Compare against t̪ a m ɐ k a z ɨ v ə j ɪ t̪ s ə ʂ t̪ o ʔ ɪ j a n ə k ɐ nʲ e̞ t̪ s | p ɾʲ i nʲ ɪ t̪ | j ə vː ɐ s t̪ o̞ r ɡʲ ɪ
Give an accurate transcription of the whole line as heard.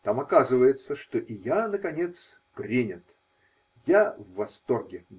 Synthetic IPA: t̪ a m ɐ k a z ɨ v ə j ɪ t̪ s ə ʂ t̪ o ʔ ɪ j a n ə k ɐ nʲ e̞ t̪ s | p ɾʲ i nʲ ɪ t̪ | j a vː ɐ s t̪ o̞ r ɡʲ ɪ